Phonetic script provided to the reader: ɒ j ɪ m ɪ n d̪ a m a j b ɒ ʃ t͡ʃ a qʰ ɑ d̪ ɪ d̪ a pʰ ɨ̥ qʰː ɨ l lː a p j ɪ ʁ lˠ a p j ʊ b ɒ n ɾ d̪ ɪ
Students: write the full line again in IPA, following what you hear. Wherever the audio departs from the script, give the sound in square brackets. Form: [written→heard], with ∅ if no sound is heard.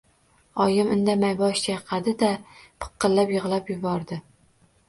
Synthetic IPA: ɒ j ɪ m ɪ n d̪ a m a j b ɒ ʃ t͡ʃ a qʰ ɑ d̪ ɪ d̪ a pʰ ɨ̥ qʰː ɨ l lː a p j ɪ ʁ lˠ a p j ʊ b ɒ [n→∅] ɾ d̪ ɪ